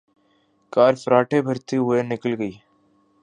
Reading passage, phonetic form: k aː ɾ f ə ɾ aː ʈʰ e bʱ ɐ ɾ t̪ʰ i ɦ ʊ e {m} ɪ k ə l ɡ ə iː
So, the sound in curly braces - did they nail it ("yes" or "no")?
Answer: no